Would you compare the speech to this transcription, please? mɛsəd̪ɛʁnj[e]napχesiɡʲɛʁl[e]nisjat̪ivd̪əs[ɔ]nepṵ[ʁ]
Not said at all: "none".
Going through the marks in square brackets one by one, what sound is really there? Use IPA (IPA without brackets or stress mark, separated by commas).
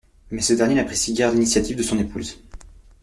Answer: e, i, ɔ̃, z